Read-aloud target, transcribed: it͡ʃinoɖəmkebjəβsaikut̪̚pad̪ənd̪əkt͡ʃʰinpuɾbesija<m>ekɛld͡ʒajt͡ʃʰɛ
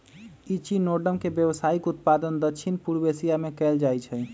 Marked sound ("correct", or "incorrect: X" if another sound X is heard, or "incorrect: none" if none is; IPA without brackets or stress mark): correct